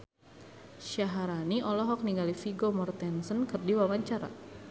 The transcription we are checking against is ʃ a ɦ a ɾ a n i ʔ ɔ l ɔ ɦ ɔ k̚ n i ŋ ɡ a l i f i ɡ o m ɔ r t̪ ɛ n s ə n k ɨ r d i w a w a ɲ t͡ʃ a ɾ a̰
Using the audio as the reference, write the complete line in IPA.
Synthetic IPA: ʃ a ɦ a ɾ a n i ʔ ɔ l ɔ ɦ ɔ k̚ n i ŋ ɡ a l i f i ɡ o m ɔ r t̪ ɛ n s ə n k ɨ r d i w a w a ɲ t͡ʃ a ɾ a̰